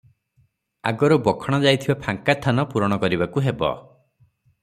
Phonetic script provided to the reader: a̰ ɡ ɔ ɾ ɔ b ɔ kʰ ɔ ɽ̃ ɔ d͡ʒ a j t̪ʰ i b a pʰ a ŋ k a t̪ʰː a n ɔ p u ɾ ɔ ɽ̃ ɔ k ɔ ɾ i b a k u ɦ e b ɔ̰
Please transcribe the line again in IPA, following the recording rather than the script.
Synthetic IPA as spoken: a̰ ɡ ɔ ɾ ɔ b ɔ kʰ ɔ ɽ̃ ɔ d͡ʒ a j t̪ʰ i b a pʰ a ŋ k a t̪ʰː a n ɔ p u ɾ ɔ ɽ̃ ɔ k ɔ ɾ i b a k u ɦ e b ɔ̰